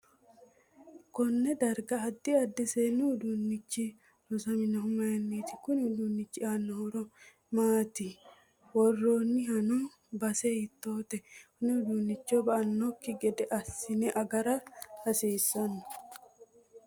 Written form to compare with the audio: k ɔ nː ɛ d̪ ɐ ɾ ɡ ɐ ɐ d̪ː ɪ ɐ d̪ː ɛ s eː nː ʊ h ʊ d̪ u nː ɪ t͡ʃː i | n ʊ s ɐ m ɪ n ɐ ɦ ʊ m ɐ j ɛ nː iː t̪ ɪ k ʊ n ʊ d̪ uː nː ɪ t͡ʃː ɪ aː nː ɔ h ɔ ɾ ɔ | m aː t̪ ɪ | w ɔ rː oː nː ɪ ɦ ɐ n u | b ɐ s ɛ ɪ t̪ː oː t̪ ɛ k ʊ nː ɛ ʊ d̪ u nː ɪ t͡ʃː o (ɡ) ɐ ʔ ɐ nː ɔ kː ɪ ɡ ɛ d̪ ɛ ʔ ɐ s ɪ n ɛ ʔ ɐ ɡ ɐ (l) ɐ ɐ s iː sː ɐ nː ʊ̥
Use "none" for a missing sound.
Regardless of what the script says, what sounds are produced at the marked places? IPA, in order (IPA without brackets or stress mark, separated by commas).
b, ɾ